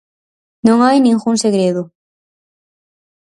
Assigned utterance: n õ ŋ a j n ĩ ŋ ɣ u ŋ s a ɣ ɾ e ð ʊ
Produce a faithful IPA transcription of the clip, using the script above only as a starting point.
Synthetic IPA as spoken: n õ ŋ a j n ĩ ŋ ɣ u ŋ s e ɣ ɾ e ð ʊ